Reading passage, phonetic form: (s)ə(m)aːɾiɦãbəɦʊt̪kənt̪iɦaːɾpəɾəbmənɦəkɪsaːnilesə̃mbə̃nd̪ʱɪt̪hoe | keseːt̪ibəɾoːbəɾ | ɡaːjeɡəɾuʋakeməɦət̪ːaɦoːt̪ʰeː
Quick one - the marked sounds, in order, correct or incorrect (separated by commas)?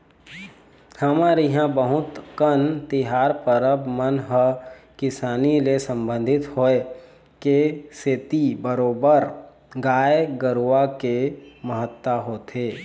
incorrect, correct